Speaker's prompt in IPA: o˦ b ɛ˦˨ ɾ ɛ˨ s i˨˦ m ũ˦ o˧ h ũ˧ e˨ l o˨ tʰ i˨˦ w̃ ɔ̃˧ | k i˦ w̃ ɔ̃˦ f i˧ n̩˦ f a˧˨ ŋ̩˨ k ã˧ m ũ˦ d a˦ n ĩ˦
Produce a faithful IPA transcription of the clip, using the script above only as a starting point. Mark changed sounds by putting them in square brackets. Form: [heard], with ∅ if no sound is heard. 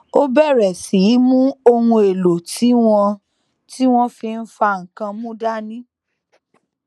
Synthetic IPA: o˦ b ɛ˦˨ ɾ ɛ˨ s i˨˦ m ũ˦ o˧ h ũ˧ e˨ l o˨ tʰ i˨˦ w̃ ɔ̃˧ | [t] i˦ w̃ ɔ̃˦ f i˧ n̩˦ f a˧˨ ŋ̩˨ k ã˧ m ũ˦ d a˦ n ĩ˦